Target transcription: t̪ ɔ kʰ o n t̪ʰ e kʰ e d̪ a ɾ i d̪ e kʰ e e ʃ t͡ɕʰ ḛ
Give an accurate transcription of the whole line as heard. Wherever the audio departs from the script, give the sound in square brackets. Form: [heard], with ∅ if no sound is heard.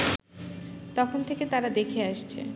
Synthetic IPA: t̪ ɔ kʰ o n t̪ʰ e [k] e [t̪] a ɾ [a] d̪ e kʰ e [a] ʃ t͡ɕʰ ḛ